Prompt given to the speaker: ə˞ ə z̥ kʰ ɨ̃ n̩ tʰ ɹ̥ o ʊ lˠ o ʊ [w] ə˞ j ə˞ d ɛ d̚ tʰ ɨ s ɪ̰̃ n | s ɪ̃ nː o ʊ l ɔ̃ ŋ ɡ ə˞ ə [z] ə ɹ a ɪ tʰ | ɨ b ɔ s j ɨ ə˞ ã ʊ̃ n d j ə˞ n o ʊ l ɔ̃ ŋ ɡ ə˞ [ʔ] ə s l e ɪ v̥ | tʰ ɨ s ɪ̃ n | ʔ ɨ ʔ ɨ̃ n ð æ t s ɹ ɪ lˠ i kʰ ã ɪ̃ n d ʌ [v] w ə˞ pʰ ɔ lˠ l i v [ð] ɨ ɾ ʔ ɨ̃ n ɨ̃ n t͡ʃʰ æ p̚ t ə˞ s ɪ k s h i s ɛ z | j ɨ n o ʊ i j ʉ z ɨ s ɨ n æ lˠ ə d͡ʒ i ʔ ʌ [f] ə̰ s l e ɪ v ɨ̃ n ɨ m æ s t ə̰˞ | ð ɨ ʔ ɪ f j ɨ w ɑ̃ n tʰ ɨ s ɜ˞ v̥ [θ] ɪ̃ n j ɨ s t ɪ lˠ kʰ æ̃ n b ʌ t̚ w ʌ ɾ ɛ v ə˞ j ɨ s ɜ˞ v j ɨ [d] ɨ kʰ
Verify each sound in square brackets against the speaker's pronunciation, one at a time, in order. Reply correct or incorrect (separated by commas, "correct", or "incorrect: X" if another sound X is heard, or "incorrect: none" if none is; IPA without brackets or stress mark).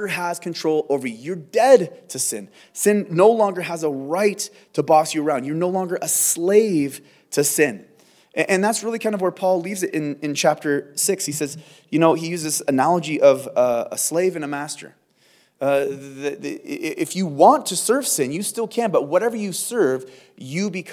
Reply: incorrect: v, correct, correct, correct, incorrect: z, incorrect: v, incorrect: s, incorrect: b